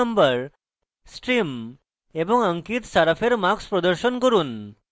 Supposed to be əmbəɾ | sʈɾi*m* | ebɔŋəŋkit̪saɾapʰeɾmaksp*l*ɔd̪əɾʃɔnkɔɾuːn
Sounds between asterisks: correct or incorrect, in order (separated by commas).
correct, incorrect